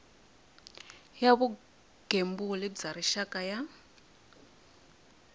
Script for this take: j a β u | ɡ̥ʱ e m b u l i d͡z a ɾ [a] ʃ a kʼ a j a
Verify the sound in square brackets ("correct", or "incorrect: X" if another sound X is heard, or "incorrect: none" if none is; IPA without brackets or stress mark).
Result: incorrect: i